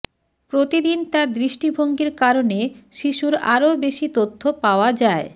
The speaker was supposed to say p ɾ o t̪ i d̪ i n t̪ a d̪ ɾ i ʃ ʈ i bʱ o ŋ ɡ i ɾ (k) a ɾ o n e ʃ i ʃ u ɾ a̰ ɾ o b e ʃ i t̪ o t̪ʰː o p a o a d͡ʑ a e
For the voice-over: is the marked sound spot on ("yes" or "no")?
yes